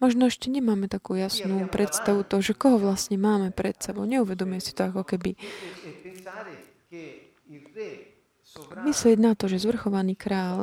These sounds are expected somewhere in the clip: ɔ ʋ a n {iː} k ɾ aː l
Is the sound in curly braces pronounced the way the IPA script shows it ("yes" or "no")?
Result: yes